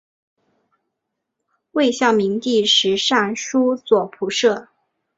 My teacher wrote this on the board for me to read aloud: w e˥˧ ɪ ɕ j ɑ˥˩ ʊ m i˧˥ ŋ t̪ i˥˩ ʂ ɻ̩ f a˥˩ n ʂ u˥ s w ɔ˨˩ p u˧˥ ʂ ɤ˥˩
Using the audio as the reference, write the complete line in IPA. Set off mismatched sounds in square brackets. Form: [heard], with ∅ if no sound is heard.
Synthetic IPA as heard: w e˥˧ ɪ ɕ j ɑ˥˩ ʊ m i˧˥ ŋ t̪ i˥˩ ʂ ɻ̩ [ʂ] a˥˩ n ʂ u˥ [t͡s] w ɔ˨˩ [pʰ] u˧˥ ʂ ɤ˥˩